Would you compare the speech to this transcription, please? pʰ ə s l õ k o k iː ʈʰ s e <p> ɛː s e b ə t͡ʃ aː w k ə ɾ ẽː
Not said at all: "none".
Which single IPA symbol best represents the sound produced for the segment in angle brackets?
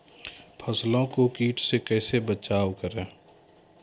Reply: k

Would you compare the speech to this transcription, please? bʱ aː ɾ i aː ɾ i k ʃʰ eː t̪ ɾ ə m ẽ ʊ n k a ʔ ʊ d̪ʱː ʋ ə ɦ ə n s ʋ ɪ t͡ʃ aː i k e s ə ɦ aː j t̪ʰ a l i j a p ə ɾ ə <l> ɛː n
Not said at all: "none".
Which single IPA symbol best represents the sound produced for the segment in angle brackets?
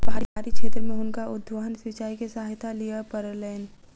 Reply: l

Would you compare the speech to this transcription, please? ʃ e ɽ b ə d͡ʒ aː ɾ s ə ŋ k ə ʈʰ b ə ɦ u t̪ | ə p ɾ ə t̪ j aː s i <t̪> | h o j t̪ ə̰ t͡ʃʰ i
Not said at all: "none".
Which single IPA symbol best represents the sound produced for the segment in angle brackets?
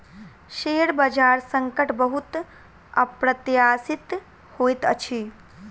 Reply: t̪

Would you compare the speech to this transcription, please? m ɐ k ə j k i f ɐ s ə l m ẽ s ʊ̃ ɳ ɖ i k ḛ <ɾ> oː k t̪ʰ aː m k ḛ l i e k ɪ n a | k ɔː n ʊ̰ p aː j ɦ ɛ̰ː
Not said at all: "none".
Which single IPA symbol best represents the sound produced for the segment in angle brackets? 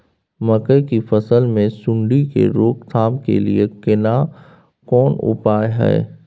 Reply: ɾ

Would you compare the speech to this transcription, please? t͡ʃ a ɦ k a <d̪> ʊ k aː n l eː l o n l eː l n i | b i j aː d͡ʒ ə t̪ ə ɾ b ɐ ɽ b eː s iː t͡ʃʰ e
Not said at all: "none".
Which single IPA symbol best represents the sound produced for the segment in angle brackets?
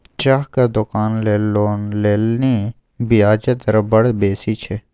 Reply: d̪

